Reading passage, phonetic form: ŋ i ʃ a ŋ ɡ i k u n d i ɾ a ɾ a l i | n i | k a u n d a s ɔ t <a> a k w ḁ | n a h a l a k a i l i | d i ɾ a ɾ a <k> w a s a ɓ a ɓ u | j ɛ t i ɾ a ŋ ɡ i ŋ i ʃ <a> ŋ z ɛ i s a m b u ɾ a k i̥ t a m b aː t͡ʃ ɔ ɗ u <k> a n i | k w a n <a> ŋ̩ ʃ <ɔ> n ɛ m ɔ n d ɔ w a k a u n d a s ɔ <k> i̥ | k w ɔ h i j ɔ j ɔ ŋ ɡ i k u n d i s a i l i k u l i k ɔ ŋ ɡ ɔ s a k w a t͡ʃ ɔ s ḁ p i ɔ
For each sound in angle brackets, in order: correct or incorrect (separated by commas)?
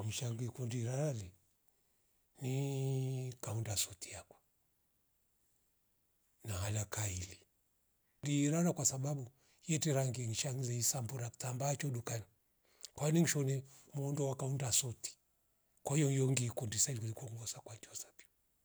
incorrect, correct, correct, correct, incorrect, correct, incorrect